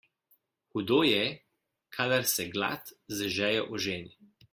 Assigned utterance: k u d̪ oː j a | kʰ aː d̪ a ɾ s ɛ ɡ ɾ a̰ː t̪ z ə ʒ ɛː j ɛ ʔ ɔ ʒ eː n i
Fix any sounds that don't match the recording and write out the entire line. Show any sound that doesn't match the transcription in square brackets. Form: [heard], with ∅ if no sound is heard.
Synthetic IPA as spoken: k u d̪ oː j [ɛ] | kʰ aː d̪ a ɾ s ɛ ɡ [l] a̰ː t̪ z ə ʒ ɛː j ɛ ʔ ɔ ʒ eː n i